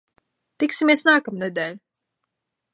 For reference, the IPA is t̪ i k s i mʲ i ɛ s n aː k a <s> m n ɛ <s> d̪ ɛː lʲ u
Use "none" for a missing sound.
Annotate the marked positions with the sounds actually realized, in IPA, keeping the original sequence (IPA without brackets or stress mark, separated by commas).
none, none